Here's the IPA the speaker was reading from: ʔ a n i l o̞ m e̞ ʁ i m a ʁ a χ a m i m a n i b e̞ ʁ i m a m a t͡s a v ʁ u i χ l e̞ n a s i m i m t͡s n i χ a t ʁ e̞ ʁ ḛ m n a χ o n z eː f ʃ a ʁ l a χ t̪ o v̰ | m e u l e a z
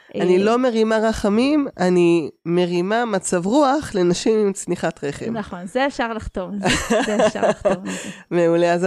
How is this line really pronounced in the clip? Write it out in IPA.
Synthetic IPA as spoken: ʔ a n i l o̞ m e̞ ʁ i m a ʁ a χ a m i m a n i m e̞ ʁ i m a m a t͡s a v ʁ u a χ l e̞ n a ʃ i m i m t͡s n i χ a t ʁ e̞ χ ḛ m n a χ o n z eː f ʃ a ʁ l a χ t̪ o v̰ | m e u l e a z